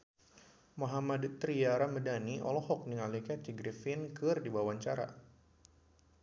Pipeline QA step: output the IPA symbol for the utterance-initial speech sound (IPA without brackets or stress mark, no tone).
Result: m